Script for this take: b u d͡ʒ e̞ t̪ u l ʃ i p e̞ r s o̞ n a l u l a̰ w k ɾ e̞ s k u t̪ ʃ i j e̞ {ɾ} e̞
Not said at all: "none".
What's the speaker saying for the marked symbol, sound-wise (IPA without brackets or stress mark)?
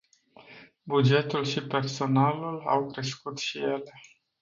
l